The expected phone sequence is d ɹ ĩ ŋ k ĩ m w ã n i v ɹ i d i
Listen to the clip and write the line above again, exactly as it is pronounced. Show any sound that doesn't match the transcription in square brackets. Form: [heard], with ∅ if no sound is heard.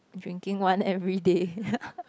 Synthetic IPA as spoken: d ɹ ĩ ŋ k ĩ [ŋ] w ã n [ɛ] v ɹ i d [e]

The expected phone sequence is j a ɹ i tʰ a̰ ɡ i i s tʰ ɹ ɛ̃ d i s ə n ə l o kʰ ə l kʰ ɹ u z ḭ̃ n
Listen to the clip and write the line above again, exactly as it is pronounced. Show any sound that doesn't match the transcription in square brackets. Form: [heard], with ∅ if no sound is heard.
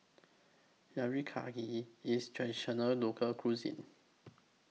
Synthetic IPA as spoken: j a ɹ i [kʰ] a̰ ɡ i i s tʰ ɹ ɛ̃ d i [ʃ] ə n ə l o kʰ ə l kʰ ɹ u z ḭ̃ n

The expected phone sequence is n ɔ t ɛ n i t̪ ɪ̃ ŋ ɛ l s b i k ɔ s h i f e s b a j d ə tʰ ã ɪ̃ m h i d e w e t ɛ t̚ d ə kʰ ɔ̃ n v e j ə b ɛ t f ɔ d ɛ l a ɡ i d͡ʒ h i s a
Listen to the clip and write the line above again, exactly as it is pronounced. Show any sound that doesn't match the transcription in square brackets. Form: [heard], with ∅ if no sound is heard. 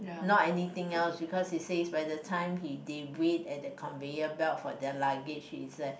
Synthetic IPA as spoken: n ɔ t ɛ n i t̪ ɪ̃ ŋ ɛ l s b i k ɔ s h i [s] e s b a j d ə tʰ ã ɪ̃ m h i d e w e t ɛ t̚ d ə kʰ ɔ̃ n v e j ə b ɛ t f ɔ d ɛ l a ɡ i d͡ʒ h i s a

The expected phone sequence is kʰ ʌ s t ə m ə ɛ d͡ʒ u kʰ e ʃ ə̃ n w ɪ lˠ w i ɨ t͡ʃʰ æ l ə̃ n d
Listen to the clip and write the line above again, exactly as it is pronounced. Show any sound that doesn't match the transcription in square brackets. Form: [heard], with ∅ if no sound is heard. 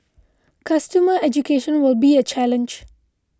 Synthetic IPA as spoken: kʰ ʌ s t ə m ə ɛ d͡ʒ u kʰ e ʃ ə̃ n w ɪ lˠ [b] i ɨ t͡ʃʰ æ l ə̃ n [d͡ʒ]

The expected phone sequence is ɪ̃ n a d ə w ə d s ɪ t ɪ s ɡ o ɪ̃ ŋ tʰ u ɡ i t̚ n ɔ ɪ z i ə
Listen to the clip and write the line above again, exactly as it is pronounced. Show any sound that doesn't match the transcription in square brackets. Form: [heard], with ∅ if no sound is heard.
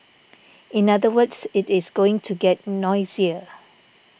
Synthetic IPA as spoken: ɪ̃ n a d ə w ə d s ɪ t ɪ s ɡ o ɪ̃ ŋ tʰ u ɡ [ɛ] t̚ n ɔ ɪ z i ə

